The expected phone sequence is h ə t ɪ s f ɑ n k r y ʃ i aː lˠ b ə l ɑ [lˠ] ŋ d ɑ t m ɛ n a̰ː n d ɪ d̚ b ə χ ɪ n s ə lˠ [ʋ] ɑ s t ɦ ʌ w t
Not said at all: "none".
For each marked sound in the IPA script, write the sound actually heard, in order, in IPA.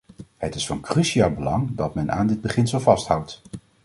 none, v

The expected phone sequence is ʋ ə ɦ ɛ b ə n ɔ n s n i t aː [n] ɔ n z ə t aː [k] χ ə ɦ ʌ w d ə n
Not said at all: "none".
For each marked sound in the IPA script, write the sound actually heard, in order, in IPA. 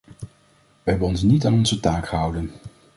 n, k

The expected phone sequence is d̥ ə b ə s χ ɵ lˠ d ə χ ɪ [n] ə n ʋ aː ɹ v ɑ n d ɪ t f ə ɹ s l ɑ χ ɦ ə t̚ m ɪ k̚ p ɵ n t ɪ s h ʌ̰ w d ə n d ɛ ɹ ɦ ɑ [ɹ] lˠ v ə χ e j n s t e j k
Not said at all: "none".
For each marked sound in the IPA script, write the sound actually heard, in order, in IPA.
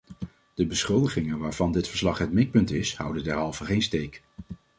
ŋ, none

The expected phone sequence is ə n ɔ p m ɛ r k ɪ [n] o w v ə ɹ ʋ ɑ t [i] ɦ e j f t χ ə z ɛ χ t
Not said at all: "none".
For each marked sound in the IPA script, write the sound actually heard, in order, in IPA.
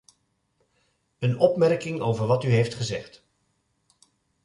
ŋ, y

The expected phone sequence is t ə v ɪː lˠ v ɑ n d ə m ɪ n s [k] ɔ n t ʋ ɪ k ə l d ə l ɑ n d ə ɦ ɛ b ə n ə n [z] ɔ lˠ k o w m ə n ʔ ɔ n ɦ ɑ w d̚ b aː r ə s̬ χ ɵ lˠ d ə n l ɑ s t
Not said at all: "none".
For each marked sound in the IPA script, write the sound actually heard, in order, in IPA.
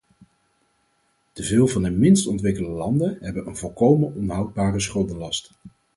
t, v

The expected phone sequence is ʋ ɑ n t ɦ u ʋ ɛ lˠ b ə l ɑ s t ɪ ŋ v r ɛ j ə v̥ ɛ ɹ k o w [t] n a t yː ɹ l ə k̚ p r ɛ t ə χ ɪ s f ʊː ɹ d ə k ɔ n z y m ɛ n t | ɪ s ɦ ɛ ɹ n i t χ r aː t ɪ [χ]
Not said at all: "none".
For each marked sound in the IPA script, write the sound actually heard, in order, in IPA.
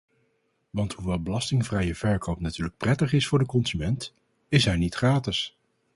p, s

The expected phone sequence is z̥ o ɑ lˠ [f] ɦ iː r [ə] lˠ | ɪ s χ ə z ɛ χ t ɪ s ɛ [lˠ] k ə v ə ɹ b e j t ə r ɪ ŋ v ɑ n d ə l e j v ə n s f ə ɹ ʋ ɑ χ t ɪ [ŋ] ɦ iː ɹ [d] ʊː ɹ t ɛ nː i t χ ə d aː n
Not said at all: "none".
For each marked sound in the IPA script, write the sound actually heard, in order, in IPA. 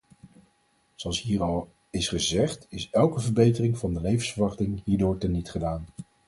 s, ɑ, lˠ, ŋ, d

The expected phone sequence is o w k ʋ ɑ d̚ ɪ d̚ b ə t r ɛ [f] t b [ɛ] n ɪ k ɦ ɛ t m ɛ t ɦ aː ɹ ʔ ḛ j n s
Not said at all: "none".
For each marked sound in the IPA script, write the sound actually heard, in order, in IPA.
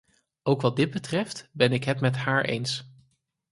f, ɛ

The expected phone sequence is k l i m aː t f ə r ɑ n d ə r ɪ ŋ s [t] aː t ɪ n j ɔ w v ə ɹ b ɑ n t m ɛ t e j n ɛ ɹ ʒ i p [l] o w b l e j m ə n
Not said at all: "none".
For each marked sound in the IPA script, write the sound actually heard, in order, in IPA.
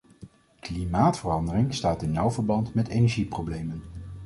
t, r

